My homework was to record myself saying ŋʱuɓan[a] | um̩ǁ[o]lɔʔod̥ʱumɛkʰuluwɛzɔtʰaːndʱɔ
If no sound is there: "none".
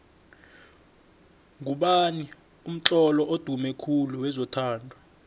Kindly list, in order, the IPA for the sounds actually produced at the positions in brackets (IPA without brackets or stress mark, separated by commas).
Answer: i, ɔ